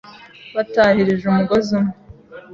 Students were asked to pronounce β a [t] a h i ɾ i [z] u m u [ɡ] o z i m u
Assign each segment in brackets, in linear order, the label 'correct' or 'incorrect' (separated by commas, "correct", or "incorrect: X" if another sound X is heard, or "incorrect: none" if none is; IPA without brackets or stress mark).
correct, incorrect: ʒ, correct